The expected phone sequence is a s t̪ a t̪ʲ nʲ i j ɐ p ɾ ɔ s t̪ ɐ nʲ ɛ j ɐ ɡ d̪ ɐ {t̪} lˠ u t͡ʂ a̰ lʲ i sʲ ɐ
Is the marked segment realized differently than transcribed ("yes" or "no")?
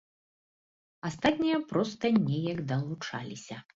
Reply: yes